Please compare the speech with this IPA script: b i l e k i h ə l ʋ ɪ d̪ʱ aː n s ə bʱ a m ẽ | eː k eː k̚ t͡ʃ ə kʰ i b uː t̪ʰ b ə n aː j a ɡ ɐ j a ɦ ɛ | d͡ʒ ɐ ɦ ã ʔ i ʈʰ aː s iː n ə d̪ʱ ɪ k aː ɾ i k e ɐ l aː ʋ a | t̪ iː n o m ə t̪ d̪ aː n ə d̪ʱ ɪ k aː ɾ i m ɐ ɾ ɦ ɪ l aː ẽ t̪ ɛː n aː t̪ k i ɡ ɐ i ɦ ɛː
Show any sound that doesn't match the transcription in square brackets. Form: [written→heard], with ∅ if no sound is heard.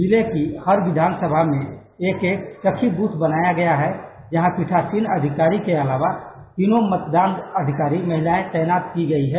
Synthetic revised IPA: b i l e k i h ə [l→ɾ] ʋ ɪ d̪ʱ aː n s ə bʱ a m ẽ | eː k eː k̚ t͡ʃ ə kʰ i b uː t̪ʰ b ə n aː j a ɡ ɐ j a ɦ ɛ | d͡ʒ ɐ ɦ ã [ʔ→p] i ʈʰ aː s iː n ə d̪ʱ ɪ k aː ɾ i k e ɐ l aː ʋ a | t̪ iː n o m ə t̪ d̪ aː n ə d̪ʱ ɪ k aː ɾ i m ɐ [ɾ→∅] ɦ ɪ l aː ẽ t̪ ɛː n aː t̪ k i ɡ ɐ i ɦ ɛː

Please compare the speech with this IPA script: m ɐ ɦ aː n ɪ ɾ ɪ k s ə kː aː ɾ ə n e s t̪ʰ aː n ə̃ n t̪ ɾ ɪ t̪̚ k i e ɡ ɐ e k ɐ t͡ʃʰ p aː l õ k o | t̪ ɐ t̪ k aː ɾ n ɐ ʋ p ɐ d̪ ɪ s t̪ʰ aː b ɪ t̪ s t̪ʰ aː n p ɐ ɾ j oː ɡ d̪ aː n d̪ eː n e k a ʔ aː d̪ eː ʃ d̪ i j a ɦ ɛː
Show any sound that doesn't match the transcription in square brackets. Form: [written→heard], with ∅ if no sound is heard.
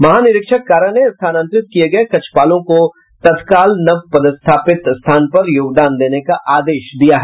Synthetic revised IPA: m ɐ ɦ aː n ɪ ɾ ɪ k [s→ʃ] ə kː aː ɾ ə n e s t̪ʰ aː n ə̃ n t̪ ɾ ɪ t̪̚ k i e ɡ ɐ e k ɐ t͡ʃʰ p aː l õ k o | t̪ ɐ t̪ k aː [ɾ→l] n ɐ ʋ p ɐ d̪ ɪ s t̪ʰ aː [b→p] ɪ t̪ s t̪ʰ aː n p ɐ ɾ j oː ɡ d̪ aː n d̪ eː n e k a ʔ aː d̪ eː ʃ d̪ i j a ɦ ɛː

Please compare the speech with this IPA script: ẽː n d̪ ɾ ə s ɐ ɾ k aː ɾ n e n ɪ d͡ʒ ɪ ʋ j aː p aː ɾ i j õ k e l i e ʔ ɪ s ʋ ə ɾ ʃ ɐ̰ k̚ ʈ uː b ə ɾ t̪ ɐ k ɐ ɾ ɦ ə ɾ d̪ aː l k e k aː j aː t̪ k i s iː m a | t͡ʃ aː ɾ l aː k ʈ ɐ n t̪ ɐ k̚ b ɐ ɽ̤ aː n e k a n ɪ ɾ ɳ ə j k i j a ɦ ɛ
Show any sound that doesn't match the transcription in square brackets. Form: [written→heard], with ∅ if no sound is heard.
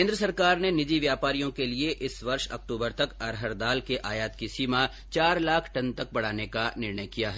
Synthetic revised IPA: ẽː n d̪ ɾ ə s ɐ ɾ k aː ɾ n e n ɪ d͡ʒ [ɪ→i] ʋ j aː p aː ɾ i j õ k e l i e ʔ ɪ s ʋ [ə→ɐ] ɾ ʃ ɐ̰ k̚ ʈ uː b ə ɾ t̪ ɐ k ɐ ɾ ɦ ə ɾ d̪ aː l k e [k→ʔ] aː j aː t̪ k i s iː m a | t͡ʃ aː ɾ l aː [k→kʰ] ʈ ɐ n t̪ ɐ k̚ b ɐ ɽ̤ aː n e k a n ɪ ɾ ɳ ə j k i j a ɦ ɛ

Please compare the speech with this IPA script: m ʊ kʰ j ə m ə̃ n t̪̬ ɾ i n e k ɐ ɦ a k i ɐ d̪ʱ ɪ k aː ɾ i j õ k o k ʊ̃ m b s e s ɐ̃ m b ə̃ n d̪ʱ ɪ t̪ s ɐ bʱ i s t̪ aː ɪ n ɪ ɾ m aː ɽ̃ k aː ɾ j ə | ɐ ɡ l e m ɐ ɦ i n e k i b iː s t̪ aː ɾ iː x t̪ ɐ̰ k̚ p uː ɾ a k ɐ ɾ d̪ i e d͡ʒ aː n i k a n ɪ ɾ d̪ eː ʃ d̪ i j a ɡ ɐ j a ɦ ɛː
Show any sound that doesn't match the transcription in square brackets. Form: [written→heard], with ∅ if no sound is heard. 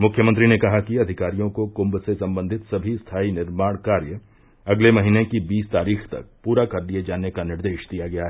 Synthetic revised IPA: m ʊ kʰ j ə m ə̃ n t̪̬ ɾ i n e k ɐ ɦ a k i ɐ d̪ʱ ɪ k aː ɾ i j õ k o k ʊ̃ m b s e s ɐ̃ m b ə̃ n d̪ʱ ɪ t̪ s ɐ bʱ i s [t̪→t̪ʰ] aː [ɪ→i] n ɪ ɾ m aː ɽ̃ k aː ɾ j ə | ɐ ɡ l e m ɐ ɦ i n e k i b iː s t̪ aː ɾ iː x t̪ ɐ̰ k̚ p uː ɾ a k ɐ ɾ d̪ i e d͡ʒ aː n [i→e] k a n ɪ ɾ d̪ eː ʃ d̪ i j a ɡ ɐ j a ɦ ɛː

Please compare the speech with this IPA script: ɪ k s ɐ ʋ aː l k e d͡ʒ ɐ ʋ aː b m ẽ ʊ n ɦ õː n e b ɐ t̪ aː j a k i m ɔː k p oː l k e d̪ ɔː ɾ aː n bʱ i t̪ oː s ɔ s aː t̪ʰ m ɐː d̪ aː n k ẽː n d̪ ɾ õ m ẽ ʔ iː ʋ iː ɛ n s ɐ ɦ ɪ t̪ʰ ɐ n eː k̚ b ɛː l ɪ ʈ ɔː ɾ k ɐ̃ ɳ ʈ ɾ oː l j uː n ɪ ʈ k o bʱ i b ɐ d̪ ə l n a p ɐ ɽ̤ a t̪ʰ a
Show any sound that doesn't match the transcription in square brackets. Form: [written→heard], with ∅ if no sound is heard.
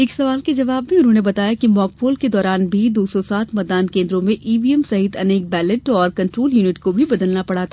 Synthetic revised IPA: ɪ k s ɐ ʋ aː l k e d͡ʒ ɐ ʋ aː b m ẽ ʊ n ɦ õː n e b ɐ t̪ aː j a k i m ɔː k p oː l k e d̪ ɔː ɾ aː n bʱ i [t̪→d̪] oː s ɔ s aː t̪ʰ m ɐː d̪ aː n k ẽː n d̪ ɾ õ m ẽ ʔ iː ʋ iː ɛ [n→m] s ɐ ɦ ɪ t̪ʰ ɐ n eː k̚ b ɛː l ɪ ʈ ɔː ɾ k ɐ̃ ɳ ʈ ɾ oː l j uː n ɪ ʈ k o bʱ i b ɐ d̪ ə l n a p ɐ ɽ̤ a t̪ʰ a

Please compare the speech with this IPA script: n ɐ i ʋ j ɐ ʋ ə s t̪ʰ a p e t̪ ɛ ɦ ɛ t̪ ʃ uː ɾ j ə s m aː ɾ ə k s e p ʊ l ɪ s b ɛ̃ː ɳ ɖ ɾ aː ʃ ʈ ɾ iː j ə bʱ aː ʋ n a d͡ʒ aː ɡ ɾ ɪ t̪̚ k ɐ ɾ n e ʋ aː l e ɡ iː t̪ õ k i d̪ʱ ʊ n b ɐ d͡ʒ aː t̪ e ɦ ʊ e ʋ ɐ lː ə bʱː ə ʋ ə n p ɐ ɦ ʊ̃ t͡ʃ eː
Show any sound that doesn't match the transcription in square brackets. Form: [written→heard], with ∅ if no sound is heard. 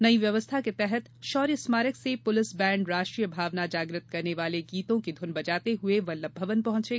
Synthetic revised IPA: n ɐ i ʋ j ɐ ʋ ə s t̪ʰ a [p→k] e t̪ ɛ ɦ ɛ t̪ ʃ [uː→ɔː] ɾ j ə s m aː ɾ ə k s e p ʊ l ɪ s b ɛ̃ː ɳ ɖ ɾ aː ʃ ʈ ɾ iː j ə bʱ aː ʋ n a d͡ʒ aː ɡ ɾ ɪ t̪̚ k ɐ ɾ n e ʋ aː l e ɡ iː t̪ õ k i d̪ʱ ʊ n b ɐ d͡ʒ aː t̪ e ɦ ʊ e ʋ ɐ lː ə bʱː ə ʋ ə n p ɐ ɦ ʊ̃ t͡ʃ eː

